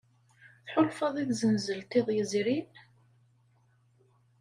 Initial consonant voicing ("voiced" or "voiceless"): voiceless